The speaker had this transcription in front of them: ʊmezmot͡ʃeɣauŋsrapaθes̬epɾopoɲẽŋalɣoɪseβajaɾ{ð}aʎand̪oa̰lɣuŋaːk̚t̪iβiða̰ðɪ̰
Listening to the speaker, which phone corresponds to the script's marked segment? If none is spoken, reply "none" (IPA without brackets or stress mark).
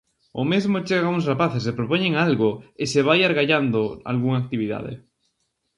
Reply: ɣ